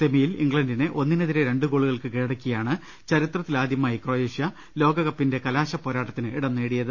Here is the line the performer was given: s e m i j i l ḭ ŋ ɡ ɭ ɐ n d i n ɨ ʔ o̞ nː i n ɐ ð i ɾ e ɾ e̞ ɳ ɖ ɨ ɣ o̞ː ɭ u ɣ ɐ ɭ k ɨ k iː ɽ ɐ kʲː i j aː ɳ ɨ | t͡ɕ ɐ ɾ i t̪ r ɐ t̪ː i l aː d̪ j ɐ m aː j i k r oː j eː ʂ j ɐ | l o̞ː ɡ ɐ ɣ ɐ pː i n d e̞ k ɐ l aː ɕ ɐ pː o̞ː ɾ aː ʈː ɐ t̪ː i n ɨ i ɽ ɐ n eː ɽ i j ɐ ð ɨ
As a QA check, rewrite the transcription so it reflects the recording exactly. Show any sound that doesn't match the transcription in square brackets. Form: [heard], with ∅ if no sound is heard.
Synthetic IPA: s e m i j i l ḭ ŋ ɡ ɭ ɐ n d i n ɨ ʔ o̞ nː i n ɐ ð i ɾ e ɾ e̞ ɳ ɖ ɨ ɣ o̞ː ɭ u ɣ ɐ ɭ k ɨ k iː ɽ ɐ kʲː i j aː ɳ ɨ | t͡ɕ ɐ ɾ i t̪ r ɐ t̪ː i l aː d̪ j ɐ m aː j i k r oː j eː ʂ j ɐ | l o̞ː ɡ ɐ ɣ ɐ pː i n d e̞ k ɐ l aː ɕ ɐ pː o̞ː ɾ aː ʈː ɐ t̪ː i n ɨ i ɽ ɐ [nː] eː ɽ i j ɐ ð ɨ